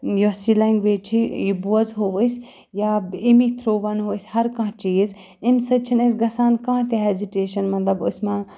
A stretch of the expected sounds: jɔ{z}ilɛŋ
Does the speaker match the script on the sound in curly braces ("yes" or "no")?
no